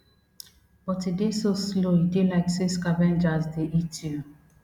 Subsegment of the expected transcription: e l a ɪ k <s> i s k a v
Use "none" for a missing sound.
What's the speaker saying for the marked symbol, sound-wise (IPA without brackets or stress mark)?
s